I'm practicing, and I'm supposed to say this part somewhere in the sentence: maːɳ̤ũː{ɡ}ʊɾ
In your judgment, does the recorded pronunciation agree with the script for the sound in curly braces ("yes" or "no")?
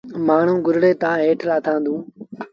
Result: yes